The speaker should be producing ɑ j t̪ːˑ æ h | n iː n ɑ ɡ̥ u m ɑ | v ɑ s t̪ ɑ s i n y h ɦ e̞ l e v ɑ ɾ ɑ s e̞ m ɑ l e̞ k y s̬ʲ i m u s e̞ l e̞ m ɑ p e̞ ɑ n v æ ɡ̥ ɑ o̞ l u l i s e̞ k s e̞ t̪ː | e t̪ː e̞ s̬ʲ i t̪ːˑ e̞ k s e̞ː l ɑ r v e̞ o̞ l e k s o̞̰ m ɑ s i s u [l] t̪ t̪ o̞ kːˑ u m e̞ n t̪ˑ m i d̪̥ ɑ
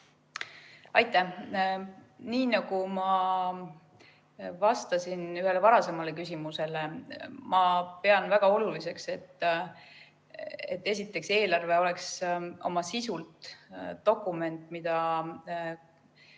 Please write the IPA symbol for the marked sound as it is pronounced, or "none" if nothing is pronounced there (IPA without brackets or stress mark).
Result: l